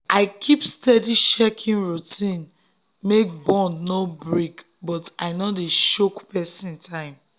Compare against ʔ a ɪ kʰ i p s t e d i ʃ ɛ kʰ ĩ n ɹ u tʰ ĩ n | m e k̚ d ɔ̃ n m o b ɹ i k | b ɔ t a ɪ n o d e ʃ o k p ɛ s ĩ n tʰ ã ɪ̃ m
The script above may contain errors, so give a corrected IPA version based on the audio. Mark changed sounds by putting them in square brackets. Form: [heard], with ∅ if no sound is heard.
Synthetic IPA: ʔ a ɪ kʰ i p s t [ɛ] d i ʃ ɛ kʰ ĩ n ɹ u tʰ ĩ n | m e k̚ [b] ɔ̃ n [n] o b ɹ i k | b ɔ t a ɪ n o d e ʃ o k p ɛ s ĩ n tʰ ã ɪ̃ m